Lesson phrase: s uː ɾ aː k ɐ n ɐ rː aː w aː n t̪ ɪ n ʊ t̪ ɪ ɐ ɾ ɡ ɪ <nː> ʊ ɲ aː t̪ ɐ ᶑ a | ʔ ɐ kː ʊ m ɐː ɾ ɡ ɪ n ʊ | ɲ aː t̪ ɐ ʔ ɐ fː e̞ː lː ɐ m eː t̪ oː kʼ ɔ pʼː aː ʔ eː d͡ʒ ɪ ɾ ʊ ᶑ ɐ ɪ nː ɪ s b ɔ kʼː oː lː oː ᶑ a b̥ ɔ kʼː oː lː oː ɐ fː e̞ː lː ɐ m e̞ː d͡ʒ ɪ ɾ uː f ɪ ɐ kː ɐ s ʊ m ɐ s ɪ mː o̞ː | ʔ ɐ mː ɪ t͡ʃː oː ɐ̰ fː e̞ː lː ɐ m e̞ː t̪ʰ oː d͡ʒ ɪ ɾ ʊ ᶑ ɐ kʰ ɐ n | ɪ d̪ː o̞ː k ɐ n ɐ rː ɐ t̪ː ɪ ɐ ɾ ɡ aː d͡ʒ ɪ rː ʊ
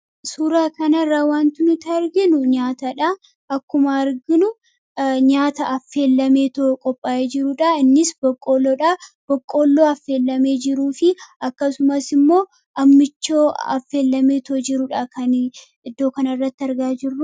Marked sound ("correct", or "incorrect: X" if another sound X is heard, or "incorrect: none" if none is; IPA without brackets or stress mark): incorrect: n